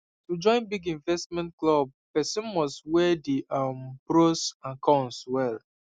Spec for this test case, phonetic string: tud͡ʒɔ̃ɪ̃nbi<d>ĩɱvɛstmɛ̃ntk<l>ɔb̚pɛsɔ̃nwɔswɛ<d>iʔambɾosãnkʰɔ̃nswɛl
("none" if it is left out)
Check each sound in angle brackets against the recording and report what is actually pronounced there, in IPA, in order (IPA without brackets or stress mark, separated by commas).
ɡ, l, d